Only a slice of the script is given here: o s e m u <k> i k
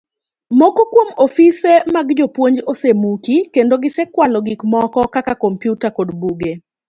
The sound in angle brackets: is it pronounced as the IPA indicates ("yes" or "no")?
yes